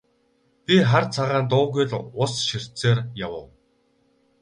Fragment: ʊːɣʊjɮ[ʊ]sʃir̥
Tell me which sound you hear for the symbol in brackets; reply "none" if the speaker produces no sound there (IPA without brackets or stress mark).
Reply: ʊ